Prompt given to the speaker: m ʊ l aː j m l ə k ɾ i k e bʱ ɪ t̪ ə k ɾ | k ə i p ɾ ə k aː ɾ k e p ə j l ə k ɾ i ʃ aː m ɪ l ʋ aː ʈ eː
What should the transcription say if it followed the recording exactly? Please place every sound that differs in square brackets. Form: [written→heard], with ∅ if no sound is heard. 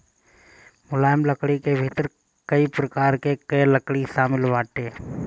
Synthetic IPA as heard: m ʊ l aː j m l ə k [ɾ→ɽ] i k e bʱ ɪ t̪ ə [k→∅] ɾ | k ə i p ɾ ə k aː ɾ k e [p→k] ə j l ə k [ɾ→ɽ] i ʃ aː m ɪ l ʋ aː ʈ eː